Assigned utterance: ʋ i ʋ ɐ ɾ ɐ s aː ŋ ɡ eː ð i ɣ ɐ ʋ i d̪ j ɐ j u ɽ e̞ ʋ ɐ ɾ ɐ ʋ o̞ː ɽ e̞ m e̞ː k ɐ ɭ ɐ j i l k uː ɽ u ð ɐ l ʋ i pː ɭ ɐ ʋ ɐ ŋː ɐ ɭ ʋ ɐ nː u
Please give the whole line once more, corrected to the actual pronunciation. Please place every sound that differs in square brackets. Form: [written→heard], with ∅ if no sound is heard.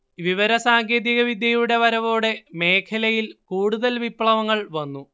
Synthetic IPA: ʋ i ʋ ɐ ɾ ɐ s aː ŋ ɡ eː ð i ɣ ɐ ʋ i d̪ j ɐ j u ɽ e̞ ʋ ɐ ɾ ɐ ʋ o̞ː ɽ e̞ m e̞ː [k→kʰ] ɐ [ɭ→l] ɐ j i l k uː ɽ u ð ɐ l ʋ i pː ɭ ɐ ʋ ɐ ŋː ɐ ɭ ʋ ɐ nː u